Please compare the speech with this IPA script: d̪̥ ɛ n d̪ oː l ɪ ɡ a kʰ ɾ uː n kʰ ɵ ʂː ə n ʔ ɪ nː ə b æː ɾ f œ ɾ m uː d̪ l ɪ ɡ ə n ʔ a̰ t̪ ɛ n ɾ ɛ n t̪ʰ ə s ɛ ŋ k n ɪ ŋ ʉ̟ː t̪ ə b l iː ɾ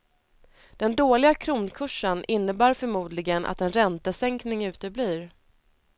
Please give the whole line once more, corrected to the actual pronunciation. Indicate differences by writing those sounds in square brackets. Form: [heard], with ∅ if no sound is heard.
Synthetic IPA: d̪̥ ɛ n d̪ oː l ɪ ɡ a kʰ ɾ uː n kʰ ɵ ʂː ə n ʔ ɪ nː ə b æː ɾ f œ ɾ m uː d̪ l ɪ ɡ ə n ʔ a̰ t̪ ɛ n ɾ ɛ n [t̪] ə s ɛ ŋ k n ɪ ŋ ʉ̟ː t̪ ə b l iː ɾ